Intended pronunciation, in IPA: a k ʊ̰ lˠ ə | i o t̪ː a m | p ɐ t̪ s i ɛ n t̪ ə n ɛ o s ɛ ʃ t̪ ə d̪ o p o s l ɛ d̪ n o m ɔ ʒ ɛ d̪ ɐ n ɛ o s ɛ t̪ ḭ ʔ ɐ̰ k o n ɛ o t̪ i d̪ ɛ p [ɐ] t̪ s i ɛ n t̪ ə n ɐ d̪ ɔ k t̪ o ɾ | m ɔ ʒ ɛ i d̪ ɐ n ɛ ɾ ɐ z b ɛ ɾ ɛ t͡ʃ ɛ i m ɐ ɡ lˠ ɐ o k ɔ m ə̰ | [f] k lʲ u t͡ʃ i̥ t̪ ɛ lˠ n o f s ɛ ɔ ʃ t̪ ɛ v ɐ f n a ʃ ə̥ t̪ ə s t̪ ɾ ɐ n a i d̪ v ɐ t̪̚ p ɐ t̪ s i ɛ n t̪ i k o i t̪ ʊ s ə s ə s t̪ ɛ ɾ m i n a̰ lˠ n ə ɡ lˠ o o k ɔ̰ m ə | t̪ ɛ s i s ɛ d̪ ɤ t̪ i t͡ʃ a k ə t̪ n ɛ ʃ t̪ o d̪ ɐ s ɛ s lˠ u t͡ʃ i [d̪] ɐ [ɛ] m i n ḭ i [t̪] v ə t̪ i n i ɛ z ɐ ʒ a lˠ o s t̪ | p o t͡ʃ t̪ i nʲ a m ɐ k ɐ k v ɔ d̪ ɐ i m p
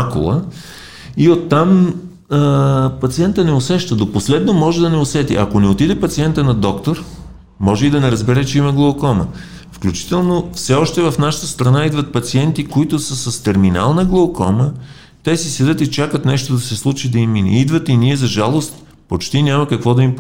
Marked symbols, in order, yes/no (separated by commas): yes, yes, yes, no, no